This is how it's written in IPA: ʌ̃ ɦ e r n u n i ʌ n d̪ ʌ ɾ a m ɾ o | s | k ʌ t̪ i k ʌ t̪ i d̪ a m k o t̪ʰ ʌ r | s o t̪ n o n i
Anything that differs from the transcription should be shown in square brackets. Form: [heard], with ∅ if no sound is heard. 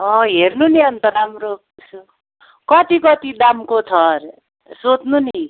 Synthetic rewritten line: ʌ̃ ɦ e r n u n i ʌ n [t̪] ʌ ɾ a m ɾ o | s | k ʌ t̪ i k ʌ t̪ i d̪ a m k o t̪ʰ ʌ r | s o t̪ n [u] n i